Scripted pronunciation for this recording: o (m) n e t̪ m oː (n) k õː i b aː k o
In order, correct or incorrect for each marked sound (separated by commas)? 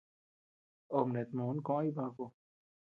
correct, correct